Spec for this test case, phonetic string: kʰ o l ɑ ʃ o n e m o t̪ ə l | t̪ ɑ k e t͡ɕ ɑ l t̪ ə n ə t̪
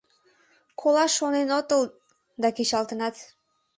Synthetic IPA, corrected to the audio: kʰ o l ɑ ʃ o n e n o t̪ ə l | d̪ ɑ k e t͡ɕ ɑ l t̪ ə n ɑ t̪